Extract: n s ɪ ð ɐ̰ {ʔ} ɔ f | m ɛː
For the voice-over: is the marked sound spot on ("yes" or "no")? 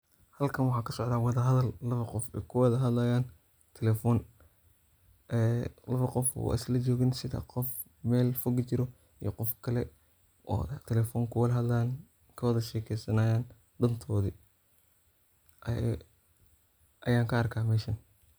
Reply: no